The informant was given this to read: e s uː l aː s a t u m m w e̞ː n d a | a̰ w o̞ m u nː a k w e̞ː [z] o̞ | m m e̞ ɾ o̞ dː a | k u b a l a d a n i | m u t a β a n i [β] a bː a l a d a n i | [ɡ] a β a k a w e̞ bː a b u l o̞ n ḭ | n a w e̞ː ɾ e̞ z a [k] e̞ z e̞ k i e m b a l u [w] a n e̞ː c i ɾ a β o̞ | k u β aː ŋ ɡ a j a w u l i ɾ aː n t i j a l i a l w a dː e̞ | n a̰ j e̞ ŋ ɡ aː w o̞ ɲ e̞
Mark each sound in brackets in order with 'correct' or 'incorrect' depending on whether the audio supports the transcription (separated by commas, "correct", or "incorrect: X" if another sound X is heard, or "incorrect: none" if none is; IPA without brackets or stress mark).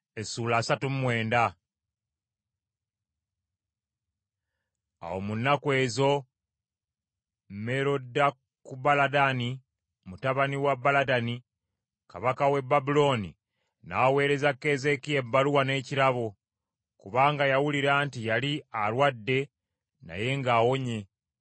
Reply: correct, incorrect: w, incorrect: k, correct, correct